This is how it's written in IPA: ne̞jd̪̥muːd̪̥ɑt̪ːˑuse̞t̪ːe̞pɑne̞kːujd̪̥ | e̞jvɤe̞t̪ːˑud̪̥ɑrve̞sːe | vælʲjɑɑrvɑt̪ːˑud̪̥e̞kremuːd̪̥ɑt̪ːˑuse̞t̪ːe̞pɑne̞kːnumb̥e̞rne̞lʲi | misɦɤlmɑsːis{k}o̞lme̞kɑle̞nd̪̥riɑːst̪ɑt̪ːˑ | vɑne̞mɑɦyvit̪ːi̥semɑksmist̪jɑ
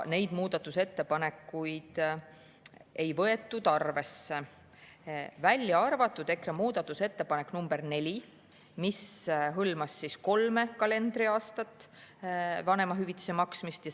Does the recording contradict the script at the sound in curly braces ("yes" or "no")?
no